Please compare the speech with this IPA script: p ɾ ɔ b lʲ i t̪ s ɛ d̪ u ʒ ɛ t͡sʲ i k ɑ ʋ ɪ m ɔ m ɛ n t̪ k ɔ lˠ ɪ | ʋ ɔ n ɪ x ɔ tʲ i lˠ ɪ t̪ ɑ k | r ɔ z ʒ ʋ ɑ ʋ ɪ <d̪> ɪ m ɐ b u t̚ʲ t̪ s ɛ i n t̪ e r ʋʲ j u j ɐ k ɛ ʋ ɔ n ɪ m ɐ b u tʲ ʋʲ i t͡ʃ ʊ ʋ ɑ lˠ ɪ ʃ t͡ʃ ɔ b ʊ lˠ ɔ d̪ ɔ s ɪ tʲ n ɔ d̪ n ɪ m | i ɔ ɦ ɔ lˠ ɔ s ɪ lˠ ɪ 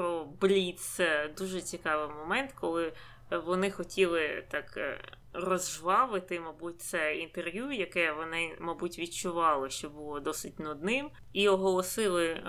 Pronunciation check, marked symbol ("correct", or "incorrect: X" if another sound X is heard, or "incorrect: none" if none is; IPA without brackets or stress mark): incorrect: t̪